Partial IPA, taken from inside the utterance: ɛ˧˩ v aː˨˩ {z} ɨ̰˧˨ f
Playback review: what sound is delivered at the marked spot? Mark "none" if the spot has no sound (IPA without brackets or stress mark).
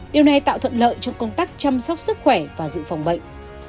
z